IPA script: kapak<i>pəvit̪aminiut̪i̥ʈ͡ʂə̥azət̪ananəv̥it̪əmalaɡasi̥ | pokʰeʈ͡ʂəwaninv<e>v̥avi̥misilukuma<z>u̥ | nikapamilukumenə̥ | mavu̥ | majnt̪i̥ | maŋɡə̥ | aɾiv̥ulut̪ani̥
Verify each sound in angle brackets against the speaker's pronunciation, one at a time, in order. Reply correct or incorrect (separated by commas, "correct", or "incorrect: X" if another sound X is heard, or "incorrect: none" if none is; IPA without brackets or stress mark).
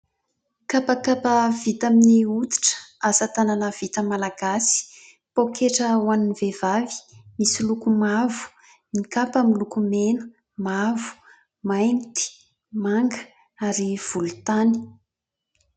incorrect: a, correct, incorrect: v